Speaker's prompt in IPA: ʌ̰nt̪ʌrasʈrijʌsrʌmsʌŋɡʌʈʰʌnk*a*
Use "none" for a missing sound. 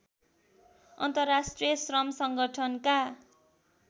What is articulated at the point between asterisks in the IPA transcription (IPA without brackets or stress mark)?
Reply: a